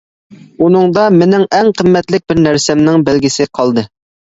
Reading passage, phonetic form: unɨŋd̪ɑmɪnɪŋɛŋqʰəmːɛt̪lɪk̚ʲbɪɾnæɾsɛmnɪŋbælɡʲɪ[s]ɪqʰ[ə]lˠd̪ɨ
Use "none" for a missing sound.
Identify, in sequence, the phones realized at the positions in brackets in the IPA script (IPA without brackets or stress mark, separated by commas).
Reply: s, ɑ